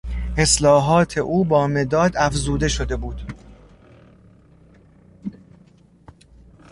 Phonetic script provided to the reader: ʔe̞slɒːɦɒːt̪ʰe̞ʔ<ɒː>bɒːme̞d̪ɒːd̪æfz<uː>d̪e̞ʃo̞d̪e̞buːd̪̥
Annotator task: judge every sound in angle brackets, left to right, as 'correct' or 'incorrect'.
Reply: incorrect: uː, correct

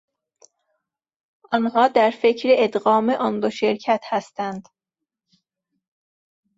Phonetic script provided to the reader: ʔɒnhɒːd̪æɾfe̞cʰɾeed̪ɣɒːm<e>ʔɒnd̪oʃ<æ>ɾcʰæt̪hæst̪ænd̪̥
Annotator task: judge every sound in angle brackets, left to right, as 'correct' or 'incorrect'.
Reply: correct, incorrect: e

